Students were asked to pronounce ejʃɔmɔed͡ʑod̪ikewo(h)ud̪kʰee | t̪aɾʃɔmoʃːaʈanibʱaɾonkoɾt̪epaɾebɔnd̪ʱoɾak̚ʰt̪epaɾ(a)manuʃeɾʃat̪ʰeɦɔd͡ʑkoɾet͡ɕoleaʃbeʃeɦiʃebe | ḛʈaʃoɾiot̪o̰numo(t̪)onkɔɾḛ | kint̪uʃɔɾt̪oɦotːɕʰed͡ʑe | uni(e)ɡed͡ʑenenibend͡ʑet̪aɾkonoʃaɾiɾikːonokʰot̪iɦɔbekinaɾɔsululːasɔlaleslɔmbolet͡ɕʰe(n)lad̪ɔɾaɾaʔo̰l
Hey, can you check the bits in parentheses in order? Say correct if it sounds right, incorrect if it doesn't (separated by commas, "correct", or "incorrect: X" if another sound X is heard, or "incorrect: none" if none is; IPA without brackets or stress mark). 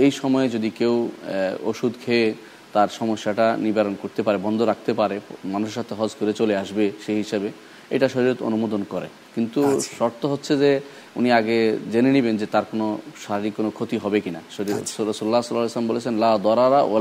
incorrect: ʃ, incorrect: e, incorrect: d̪, incorrect: a, correct